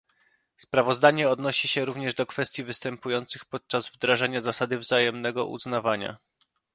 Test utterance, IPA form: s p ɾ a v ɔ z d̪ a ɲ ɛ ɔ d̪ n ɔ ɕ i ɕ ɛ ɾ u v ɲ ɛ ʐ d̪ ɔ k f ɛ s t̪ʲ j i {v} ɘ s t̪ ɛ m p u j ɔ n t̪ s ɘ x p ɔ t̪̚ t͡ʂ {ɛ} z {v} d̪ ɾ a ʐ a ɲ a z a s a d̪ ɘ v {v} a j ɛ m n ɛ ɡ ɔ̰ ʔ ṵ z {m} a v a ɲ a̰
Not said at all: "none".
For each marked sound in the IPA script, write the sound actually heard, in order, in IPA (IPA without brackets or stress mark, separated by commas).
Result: v, a, v, z, n